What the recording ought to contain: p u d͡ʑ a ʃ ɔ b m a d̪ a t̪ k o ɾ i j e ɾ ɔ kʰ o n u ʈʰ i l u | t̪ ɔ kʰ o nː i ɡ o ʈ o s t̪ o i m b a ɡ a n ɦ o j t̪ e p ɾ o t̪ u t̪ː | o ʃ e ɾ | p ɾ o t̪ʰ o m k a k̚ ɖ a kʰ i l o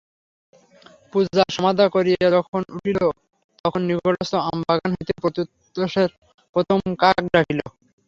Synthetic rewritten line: p u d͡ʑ a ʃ ɔ m a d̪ a k o ɾ i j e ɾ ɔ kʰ o n u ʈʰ i l o | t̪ ɔ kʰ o nː i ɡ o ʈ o s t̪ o a m b a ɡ a n ɦ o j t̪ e p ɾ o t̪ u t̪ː | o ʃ e ɾ | p ɾ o t̪ʰ o m k a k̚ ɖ a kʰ i l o

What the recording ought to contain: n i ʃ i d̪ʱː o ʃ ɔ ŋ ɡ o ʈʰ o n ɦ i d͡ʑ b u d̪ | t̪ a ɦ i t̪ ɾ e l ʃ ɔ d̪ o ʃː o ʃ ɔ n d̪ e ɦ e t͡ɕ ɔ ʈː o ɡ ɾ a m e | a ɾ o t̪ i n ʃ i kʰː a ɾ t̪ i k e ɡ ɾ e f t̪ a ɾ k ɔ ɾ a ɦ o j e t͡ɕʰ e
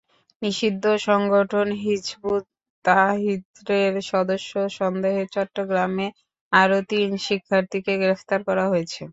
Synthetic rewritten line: n i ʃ i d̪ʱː o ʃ ɔ ŋ ɡ o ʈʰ o n ɦ i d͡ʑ b u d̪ | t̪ a ɦ i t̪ ɾ e ɾ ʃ ɔ d̪ o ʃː o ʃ ɔ n d̪ e ɦ e t͡ɕ ɔ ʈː o ɡ ɾ a m e | a ɾ o t̪ i n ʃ i kʰː a ɾ t̪ i k e ɡ ɾ e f t̪ a ɾ k ɔ ɾ a ɦ o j e t͡ɕʰ e

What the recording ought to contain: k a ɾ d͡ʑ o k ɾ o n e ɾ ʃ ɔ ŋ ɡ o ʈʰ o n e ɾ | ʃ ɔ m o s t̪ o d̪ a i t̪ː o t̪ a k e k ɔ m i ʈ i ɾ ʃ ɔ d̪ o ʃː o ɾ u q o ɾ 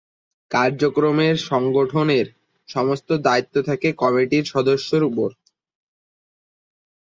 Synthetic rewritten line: k a ɾ d͡ʑ o k ɾ o m e ɾ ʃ ɔ ŋ ɡ o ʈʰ o n e ɾ | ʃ ɔ m o s t̪ o d̪ a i t̪ː o t̪ʰ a k e k ɔ m i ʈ i ɾ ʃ ɔ d̪ o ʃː o ɾ u p o ɾ

